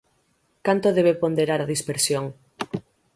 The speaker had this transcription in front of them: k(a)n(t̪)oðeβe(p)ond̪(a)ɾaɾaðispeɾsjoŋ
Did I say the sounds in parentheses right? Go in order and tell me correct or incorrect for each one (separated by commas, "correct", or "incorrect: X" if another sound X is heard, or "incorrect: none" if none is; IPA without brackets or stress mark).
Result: correct, correct, correct, incorrect: e